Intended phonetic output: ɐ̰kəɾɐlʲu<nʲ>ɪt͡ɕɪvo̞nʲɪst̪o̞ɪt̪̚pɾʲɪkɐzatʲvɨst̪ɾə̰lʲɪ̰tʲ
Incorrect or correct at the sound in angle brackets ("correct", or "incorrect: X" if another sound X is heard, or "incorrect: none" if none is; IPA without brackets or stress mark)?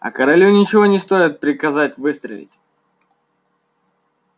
correct